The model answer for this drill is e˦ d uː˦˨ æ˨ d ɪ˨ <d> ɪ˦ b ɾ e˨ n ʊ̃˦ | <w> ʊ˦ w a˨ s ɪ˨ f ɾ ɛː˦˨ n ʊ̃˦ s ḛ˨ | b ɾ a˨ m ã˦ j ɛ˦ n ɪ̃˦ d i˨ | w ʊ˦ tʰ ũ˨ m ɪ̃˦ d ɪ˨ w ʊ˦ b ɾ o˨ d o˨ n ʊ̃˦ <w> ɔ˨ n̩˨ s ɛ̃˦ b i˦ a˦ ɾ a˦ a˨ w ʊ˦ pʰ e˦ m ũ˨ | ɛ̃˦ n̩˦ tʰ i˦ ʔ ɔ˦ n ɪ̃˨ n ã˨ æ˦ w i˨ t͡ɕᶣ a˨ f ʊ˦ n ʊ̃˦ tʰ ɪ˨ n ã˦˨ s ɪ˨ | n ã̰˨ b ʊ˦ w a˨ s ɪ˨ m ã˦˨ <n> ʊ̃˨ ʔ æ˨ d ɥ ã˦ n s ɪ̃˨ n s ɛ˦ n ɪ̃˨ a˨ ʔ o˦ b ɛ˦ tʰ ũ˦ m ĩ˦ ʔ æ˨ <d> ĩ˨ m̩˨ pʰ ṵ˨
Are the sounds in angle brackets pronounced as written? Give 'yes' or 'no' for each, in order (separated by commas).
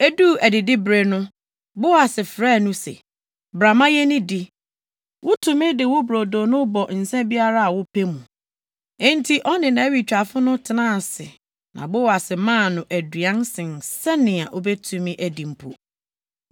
yes, no, no, yes, yes